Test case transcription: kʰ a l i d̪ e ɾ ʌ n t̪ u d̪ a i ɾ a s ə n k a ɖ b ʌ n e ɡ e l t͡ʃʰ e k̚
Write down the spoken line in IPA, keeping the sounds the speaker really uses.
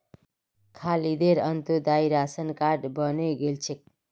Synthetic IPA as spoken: kʰ a l i d̪ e ɾ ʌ n t̪ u d̪ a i ɾ a s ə n k a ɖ b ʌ n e ɡ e l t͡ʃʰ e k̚

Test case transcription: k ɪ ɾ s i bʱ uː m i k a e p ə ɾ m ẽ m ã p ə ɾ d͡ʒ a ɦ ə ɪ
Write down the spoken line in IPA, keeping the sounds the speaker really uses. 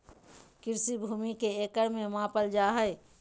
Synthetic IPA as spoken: k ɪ ɾ s i bʱ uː m i k e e k ə ɾ m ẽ m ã p ə l d͡ʒ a ɦ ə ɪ

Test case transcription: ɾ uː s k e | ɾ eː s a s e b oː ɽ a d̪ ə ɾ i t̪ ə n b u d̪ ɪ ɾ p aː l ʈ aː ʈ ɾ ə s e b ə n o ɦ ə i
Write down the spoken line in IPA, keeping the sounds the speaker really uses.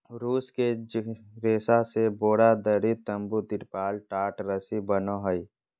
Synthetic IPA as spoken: ɾ uː s k e | ɾ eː s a s e b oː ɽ a d̪ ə ɾ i t̪ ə m b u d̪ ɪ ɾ p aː l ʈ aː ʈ ɾ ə s i b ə n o ɦ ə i

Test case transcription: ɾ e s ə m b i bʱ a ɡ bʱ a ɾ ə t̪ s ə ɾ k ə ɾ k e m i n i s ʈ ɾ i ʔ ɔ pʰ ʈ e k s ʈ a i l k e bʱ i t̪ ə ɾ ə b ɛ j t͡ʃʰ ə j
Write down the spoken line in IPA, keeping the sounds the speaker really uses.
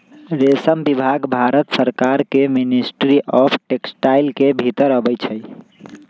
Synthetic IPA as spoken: ɾ e s ə m b i bʱ a ɡ bʱ a ɾ ə t̪ s ə ɾ k a ɾ k e m i n i s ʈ ɾ i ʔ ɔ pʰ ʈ e k s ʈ a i l k e bʱ i t̪ ə ɾ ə b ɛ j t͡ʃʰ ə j

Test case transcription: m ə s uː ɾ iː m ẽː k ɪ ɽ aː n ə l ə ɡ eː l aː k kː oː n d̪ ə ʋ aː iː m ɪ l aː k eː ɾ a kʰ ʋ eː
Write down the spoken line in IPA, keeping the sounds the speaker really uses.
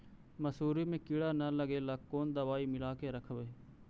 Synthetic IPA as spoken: m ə s uː ɾ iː m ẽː k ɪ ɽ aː n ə l ə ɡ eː l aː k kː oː n d̪ ə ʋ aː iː m ɪ l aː k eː ɾ ə kʰ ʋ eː

